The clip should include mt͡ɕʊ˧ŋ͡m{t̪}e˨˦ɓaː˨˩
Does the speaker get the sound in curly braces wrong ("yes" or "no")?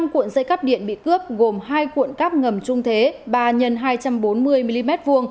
yes